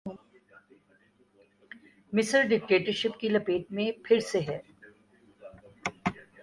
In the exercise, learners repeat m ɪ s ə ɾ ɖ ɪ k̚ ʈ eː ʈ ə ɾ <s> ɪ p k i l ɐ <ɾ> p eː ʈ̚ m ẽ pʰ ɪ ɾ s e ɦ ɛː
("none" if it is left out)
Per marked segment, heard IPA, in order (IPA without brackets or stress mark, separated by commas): ʃ, none